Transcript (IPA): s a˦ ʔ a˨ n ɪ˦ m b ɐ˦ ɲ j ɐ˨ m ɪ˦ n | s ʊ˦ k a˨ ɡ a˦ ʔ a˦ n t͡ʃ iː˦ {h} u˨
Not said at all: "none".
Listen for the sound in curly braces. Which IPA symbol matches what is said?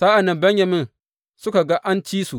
s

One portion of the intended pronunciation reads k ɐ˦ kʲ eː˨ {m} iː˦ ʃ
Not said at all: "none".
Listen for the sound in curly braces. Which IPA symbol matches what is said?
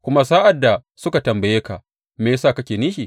n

